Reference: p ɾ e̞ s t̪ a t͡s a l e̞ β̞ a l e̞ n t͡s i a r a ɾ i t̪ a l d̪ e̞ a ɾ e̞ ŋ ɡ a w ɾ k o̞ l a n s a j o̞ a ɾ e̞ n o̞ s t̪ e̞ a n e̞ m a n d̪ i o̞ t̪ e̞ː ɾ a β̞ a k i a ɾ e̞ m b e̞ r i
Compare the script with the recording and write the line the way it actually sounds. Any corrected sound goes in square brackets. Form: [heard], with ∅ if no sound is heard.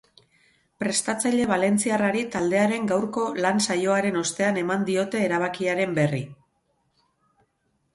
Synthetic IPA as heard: p ɾ e̞ s t̪ a t͡s a [ʎ] e̞ β̞ a l e̞ n t͡s i a r a ɾ i t̪ a l d̪ e̞ a ɾ e̞ ŋ ɡ a w ɾ k o̞ l a n s a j o̞ a ɾ e̞ n o̞ s t̪ e̞ a n e̞ m a n d̪ i o̞ t̪ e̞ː ɾ a β̞ a k i a ɾ e̞ m b e̞ r i